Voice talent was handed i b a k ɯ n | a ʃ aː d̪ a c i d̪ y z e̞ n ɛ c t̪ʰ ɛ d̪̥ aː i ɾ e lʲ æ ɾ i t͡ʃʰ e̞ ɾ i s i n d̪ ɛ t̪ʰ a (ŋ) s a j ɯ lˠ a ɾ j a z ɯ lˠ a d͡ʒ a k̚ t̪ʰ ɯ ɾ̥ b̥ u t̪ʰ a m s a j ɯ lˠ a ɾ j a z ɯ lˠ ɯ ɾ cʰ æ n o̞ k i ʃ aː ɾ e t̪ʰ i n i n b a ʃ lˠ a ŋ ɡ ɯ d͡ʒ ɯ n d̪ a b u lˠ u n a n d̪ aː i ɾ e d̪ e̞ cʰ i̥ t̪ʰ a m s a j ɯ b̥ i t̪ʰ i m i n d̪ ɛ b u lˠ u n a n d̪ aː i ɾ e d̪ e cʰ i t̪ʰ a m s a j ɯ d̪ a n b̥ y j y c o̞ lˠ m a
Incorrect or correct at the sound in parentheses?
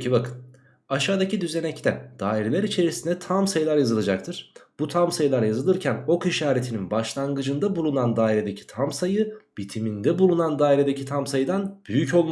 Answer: incorrect: m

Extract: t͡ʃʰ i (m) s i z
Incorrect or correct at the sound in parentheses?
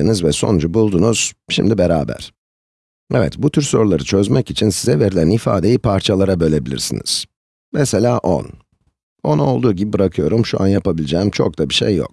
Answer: incorrect: n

